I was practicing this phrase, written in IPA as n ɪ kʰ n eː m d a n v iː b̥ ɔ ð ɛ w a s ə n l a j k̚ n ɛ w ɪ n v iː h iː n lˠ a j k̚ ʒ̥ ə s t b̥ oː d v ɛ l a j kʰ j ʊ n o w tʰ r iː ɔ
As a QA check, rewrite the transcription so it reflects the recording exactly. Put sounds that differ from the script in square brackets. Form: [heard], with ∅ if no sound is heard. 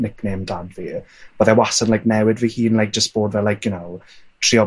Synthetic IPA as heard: n ɪ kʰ n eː m d a [d] v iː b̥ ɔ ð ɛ w a s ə n l a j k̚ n ɛ w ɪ [d] v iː h iː n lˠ a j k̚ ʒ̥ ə s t b̥ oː d v ɛ l a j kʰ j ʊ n o w tʰ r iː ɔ